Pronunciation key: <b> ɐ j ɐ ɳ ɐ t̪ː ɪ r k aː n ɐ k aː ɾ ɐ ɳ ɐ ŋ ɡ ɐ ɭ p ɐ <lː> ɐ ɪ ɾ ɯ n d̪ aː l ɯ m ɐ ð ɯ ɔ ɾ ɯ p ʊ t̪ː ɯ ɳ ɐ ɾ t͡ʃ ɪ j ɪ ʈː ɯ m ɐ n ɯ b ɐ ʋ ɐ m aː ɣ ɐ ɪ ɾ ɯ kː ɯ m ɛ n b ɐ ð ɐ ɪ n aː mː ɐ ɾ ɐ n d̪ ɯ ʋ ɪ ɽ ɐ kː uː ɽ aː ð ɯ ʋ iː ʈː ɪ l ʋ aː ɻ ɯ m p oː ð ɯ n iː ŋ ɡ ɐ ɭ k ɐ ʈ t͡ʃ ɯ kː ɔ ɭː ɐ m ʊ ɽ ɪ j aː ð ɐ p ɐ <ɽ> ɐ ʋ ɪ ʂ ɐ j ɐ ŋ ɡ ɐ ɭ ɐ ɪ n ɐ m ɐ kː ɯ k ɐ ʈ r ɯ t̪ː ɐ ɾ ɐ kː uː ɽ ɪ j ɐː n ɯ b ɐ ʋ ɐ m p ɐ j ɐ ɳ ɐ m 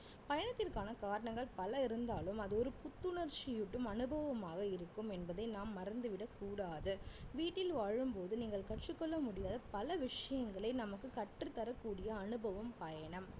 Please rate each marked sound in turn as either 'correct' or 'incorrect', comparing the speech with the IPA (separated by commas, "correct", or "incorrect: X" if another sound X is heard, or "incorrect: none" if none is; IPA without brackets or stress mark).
incorrect: p, incorrect: l, incorrect: l